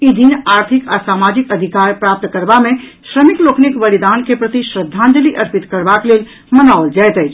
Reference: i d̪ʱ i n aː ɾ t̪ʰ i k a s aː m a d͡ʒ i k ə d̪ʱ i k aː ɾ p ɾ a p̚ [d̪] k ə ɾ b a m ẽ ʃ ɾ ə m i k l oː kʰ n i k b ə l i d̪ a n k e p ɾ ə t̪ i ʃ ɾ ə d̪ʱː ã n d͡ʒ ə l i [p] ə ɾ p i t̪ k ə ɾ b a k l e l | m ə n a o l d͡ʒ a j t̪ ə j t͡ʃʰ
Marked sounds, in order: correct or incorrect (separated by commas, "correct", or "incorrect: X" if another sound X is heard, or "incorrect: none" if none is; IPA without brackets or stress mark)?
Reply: incorrect: t̪, incorrect: ʔ